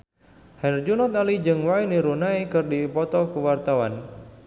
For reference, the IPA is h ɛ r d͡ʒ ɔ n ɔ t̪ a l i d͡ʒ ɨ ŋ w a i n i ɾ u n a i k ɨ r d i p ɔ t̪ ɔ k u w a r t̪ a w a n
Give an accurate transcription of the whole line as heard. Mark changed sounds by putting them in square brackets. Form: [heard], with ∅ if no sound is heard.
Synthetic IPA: h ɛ r d͡ʒ [u] n ɔ t̪ a l i d͡ʒ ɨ ŋ w a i n i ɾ u n a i k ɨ r d i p ɔ t̪ ɔ k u w a r t̪ a w a n